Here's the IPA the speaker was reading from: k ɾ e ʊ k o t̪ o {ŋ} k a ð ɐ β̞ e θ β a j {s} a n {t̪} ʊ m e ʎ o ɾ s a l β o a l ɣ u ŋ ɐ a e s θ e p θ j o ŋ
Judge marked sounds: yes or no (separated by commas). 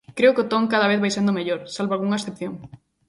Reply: yes, yes, no